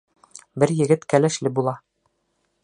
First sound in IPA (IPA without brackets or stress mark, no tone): b